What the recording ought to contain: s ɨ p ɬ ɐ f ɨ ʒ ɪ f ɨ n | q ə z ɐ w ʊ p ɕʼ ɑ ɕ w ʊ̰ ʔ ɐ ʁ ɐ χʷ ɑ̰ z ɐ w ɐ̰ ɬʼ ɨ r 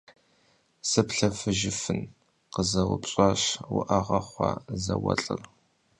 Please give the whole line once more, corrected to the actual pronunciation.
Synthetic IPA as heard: s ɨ p ɬ ɐ f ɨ ʒ ɪ f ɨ n | q ə z ɐ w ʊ p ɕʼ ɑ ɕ w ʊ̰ ʔ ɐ ʁ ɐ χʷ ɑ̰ z ɐ w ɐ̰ ɬʼ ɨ r